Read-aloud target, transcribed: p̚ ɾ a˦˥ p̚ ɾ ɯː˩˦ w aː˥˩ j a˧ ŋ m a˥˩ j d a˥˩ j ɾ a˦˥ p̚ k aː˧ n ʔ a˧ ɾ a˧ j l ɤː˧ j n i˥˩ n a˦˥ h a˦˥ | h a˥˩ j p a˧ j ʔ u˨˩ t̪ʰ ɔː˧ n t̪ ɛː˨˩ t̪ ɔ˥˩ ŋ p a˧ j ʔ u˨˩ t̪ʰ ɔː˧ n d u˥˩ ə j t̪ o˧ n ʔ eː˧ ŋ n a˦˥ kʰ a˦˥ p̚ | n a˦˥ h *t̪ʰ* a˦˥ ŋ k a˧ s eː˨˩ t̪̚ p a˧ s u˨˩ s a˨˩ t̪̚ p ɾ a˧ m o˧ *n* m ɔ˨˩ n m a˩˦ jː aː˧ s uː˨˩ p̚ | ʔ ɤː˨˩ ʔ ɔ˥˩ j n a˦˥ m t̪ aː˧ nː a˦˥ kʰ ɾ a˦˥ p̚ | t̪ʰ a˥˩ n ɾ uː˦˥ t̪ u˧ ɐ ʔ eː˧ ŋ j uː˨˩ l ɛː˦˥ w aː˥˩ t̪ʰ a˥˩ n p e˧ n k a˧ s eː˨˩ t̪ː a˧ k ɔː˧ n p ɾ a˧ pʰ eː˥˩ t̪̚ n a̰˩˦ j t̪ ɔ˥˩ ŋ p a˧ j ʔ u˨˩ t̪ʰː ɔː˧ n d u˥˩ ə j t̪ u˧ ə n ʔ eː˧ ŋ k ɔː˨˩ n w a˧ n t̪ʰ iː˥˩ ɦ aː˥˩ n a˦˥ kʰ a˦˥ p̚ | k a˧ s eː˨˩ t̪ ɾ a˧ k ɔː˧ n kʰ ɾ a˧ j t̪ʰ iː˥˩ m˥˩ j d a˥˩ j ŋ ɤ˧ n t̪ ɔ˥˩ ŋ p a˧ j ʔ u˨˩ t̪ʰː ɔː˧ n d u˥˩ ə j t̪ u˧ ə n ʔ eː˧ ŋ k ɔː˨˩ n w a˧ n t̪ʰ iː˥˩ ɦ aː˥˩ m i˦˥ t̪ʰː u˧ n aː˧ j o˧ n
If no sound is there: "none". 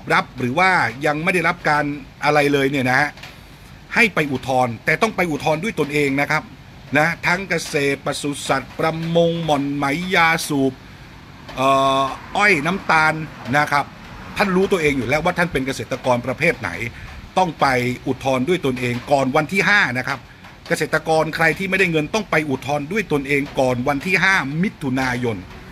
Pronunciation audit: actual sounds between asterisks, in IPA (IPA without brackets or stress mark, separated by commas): t̪ʰ, ŋ